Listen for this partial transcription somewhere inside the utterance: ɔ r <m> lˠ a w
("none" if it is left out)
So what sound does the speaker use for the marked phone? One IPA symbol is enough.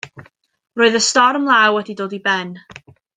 m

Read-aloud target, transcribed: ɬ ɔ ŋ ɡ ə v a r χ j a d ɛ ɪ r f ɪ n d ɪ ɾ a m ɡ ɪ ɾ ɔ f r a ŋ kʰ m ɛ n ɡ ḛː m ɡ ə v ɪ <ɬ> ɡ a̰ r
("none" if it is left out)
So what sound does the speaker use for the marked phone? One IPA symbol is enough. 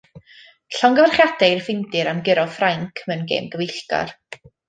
ɬ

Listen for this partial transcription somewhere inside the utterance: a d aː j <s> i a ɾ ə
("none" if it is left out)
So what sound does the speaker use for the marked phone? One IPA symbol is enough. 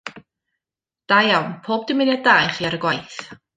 χ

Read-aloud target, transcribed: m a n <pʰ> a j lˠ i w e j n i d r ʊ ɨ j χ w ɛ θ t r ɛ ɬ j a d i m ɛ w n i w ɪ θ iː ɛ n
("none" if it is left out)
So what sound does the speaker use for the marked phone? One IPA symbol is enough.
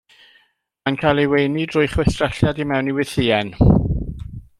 kʰ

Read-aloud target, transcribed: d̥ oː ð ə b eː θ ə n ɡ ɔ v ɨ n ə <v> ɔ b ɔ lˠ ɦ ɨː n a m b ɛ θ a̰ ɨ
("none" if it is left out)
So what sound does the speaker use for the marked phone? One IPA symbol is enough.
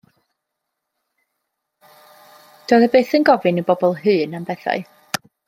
b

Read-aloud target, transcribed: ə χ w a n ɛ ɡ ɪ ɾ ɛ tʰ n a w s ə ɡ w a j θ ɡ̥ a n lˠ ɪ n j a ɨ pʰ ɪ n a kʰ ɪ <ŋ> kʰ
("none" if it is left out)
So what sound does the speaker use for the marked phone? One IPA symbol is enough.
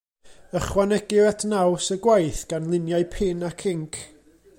ŋ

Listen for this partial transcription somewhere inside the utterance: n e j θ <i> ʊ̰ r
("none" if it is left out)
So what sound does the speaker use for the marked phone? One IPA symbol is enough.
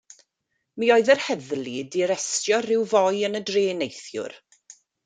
j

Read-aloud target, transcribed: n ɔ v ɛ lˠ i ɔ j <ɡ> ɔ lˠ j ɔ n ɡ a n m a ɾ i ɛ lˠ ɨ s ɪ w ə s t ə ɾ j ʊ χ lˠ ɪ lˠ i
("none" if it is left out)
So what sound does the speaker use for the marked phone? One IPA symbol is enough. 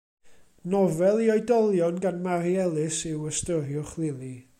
d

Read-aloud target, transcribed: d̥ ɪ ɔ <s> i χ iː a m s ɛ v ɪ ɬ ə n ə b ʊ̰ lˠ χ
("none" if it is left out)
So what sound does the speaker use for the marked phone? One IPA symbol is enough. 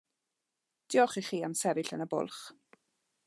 χ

